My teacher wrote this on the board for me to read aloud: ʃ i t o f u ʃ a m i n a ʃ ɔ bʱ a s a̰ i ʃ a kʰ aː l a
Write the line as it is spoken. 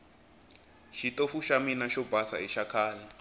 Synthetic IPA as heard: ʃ i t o f u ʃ a m i n a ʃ ɔ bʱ a s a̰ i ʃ a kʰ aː l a